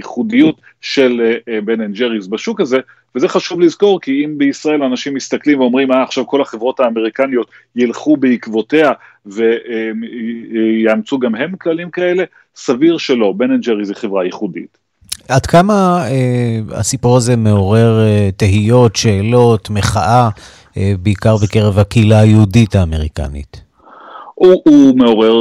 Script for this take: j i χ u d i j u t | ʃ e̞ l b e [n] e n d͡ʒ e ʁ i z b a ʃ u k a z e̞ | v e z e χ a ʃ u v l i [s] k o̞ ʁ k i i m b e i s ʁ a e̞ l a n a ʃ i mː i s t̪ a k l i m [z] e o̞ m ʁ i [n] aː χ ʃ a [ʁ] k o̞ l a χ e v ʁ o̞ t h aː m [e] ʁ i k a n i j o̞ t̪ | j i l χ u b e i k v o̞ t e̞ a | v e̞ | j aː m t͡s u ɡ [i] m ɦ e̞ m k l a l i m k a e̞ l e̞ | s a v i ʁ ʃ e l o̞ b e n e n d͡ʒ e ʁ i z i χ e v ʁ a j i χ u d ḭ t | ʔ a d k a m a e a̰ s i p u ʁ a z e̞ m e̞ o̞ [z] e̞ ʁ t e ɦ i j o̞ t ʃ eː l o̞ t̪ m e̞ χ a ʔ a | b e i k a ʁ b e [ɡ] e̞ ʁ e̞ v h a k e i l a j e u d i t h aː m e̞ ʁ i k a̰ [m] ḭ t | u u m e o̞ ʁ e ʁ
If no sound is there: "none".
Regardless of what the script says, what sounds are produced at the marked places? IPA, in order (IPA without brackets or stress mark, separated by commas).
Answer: n, z, v, m, v, e, a, ʁ, k, n